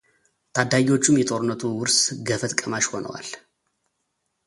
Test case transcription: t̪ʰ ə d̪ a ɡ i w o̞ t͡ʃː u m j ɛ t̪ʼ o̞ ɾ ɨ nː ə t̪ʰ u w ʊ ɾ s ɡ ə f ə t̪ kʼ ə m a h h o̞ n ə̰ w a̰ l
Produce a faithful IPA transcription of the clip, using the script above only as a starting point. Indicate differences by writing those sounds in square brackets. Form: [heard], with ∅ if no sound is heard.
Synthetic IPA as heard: t̪ʰ [a] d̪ a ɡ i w o̞ t͡ʃː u m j ɛ t̪ʼ o̞ ɾ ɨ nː ə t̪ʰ u w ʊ ɾ s ɡ ə f ə t̪ kʼ ə m a [ʃ] h o̞ n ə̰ w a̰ l